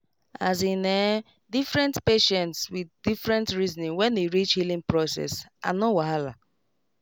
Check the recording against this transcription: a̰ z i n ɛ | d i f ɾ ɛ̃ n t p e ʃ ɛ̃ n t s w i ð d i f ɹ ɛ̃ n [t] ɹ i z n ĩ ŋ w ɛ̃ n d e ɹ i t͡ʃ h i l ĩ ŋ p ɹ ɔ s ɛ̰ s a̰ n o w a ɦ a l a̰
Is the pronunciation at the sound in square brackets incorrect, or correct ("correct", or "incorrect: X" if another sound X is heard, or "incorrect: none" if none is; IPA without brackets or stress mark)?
correct